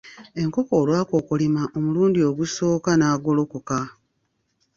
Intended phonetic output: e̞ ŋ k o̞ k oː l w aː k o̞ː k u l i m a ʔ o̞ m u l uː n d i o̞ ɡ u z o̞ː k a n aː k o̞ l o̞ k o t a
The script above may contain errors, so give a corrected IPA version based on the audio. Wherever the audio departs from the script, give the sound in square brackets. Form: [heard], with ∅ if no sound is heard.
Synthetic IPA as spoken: e̞ ŋ k o̞ k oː l w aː k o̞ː k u l i m a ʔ o̞ m u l uː n d i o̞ ɡ u [s] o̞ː k a n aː [ɡ] o̞ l o̞ k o [k] a